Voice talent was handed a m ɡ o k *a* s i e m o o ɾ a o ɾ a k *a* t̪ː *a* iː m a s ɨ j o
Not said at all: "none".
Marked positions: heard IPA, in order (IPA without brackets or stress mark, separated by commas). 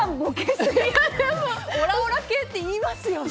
e, e, e